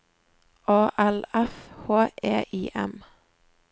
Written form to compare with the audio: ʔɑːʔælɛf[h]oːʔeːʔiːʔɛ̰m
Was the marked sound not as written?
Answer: no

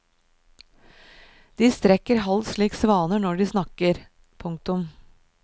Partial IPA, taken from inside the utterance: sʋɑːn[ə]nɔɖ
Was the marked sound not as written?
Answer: no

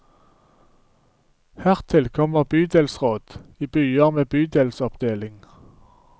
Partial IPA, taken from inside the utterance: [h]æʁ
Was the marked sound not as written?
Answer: no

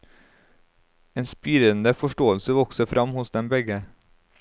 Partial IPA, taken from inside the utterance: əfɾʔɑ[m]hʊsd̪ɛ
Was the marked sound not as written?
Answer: no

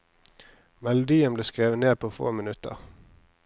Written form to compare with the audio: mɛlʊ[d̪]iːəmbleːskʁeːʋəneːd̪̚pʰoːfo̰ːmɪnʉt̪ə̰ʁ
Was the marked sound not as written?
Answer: no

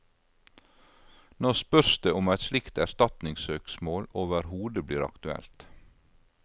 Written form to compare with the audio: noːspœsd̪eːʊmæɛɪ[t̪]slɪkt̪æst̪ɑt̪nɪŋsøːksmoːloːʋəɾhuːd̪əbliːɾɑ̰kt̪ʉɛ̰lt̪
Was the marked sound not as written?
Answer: no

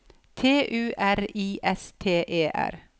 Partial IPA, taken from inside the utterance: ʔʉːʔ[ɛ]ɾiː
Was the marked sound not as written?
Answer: yes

